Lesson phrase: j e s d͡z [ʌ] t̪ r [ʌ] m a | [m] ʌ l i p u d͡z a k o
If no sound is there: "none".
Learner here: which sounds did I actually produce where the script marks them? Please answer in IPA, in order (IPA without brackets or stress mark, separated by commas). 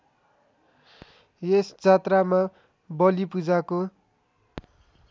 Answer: a, a, b